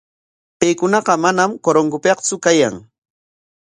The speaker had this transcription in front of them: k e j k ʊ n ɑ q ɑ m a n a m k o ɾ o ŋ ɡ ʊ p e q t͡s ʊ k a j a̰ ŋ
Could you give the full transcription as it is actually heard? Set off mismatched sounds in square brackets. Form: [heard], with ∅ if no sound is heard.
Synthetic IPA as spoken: [p] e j k ʊ n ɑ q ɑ m a n a m k o ɾ o ŋ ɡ ʊ p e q t͡s ʊ k a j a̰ ŋ

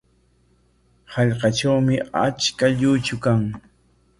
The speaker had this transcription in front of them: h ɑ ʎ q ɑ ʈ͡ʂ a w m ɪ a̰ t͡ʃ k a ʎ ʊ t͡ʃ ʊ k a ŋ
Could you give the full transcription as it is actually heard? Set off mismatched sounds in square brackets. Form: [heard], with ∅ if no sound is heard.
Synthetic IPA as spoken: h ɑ ʎ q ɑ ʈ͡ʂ a w m ɪ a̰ t͡ʃ k a ʎ ʊ t͡ʃ ʊ k a ŋ

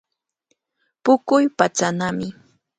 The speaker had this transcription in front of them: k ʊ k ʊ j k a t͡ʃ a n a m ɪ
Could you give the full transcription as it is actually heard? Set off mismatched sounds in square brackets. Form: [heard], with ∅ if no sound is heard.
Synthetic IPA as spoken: [p] ʊ k ʊ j [p] a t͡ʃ a n a m ɪ

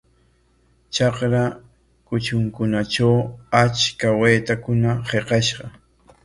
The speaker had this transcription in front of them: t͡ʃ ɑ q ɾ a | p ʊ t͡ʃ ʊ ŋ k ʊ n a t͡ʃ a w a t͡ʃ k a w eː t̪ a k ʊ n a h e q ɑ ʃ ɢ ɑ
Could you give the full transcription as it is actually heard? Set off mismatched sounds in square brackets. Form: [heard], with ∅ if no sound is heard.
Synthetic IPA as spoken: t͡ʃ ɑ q ɾ a | [k] ʊ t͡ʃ ʊ ŋ k ʊ n a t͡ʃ a w a t͡ʃ k a w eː t̪ a k ʊ n a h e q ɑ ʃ ɢ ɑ

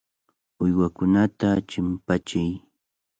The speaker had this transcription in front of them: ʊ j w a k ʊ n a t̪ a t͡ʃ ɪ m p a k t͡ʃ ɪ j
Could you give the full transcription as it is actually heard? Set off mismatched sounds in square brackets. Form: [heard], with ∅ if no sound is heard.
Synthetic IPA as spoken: ʊ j w a k ʊ n a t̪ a t͡ʃ ɪ m p a [∅] t͡ʃ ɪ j

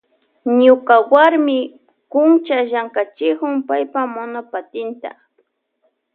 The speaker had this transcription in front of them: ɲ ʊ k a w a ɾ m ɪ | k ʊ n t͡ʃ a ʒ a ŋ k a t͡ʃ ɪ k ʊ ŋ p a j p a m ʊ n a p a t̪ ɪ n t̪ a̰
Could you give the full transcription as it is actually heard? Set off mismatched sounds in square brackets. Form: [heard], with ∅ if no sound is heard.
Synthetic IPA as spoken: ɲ ʊ k a w a ɾ m ɪ | k ʊ n t͡ʃ a ʒ a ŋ k a t͡ʃ ɪ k ʊ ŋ p a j p a m ʊ n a p a t̪ ɪ n t̪ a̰

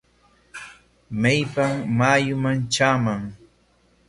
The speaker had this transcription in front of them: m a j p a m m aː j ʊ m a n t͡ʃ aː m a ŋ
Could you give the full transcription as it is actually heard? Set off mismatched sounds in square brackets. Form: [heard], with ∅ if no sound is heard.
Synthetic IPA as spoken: m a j p a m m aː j ʊ m a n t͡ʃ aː m a ŋ

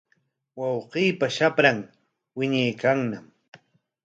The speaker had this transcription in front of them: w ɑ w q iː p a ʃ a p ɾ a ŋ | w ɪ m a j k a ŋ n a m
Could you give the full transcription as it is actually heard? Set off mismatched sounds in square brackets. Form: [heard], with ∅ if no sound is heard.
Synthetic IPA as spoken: w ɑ w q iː p a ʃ a p ɾ a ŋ | w ɪ [ɲ] a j k a ŋ n a m

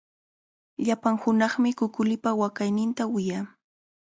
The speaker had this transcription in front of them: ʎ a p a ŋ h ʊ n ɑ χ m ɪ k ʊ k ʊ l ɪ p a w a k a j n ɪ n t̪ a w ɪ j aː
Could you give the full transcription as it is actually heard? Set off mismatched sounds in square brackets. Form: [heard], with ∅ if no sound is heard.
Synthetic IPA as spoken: ʎ a p a ŋ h ʊ n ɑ χ m ɪ k ʊ k ʊ l ɪ p a w a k a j n ɪ n t̪ a w ɪ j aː

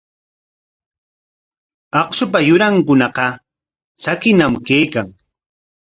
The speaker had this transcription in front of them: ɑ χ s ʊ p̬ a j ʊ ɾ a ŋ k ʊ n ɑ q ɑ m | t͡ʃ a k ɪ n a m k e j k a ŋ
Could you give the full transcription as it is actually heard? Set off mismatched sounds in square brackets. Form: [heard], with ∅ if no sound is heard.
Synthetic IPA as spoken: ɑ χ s ʊ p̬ a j ʊ ɾ a ŋ k ʊ n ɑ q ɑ [∅] | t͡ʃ a k ɪ n a m k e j k a ŋ

